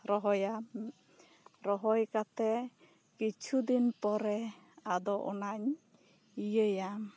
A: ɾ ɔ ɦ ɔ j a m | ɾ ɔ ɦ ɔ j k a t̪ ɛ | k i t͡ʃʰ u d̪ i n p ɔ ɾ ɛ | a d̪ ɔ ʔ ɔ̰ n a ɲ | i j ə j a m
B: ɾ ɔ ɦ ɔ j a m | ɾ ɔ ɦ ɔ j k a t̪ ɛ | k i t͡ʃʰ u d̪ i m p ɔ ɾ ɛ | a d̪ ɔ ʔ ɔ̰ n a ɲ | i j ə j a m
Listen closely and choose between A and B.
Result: A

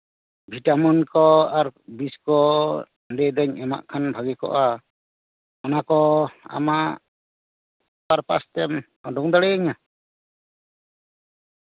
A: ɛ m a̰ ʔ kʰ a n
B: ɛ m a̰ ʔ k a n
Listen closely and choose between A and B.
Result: A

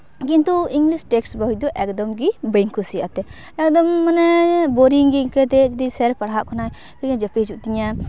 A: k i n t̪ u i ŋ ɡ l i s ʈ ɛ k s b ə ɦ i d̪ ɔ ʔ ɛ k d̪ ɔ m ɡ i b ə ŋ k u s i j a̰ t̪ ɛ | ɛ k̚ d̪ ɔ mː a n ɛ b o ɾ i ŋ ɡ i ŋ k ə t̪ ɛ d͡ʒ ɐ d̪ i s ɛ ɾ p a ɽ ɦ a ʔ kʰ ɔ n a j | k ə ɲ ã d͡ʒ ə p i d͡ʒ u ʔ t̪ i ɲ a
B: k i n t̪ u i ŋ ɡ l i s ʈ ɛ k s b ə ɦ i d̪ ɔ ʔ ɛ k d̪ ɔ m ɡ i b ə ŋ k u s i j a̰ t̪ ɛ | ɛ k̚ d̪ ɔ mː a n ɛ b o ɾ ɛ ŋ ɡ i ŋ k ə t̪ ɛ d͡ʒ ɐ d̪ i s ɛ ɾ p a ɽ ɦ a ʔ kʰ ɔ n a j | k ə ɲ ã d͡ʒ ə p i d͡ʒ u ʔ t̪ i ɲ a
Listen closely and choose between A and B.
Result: A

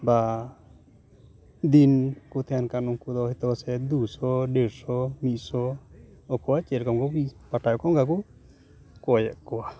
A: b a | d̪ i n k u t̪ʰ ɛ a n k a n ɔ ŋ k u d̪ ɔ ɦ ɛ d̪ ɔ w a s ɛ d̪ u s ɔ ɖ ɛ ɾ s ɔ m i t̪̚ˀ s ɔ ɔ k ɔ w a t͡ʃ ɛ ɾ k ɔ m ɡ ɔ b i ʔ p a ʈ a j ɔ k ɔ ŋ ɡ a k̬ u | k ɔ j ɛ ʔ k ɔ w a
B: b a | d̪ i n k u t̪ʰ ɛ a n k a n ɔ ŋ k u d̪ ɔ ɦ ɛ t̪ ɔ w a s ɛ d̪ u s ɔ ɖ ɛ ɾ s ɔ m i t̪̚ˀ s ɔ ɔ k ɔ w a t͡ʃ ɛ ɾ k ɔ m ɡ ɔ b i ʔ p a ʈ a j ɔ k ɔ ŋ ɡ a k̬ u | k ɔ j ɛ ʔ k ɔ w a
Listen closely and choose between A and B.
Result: B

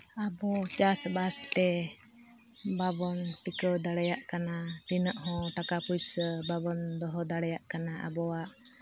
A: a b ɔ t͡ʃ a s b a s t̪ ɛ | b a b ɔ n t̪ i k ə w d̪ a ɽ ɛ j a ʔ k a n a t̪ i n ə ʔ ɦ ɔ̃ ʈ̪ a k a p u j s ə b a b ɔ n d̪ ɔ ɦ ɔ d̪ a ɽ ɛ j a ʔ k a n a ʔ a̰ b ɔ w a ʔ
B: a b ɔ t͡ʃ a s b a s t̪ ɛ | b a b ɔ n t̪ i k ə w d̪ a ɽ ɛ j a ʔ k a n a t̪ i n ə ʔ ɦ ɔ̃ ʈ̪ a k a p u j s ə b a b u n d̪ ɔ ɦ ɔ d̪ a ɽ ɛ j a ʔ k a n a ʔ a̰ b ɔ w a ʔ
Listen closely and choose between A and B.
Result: A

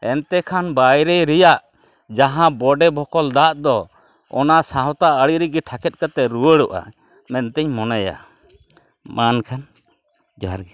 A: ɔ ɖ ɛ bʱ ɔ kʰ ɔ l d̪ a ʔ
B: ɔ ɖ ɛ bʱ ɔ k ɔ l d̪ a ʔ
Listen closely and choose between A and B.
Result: B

